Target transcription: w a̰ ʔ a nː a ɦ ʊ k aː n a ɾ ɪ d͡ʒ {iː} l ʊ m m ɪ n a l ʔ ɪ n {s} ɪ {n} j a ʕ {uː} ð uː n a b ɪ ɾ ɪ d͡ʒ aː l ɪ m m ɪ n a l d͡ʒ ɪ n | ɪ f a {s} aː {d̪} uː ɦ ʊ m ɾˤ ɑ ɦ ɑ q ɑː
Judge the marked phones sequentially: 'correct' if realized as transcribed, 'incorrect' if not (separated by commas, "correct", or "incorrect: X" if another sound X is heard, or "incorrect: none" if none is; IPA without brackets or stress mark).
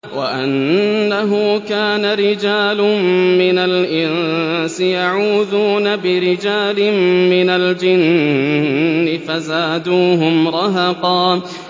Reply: incorrect: aː, correct, incorrect: none, correct, incorrect: z, correct